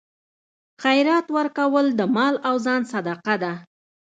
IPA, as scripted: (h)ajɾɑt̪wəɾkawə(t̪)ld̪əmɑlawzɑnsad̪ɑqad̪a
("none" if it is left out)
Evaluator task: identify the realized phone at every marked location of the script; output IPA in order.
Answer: x, none

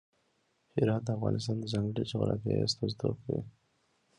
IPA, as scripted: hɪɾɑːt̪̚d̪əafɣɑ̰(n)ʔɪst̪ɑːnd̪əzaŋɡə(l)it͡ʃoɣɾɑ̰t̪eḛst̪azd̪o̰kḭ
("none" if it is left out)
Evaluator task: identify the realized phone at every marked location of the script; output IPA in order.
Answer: n, ɽ

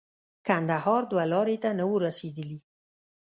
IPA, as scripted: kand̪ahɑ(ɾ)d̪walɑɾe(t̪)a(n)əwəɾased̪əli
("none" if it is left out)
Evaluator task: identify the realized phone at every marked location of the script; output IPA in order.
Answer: ɾ, t̪, n

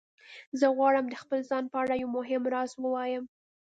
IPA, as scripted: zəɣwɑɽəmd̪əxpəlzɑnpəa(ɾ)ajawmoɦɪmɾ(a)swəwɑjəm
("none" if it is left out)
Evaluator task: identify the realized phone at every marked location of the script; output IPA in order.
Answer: ɽ, ɑ

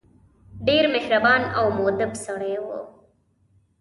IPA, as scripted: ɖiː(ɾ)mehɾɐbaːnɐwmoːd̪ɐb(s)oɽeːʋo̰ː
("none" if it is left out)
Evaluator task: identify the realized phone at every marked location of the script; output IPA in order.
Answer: ɾ, s

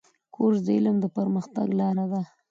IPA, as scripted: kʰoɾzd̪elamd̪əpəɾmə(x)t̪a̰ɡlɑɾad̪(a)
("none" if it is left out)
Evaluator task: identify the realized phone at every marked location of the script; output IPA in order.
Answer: x, a

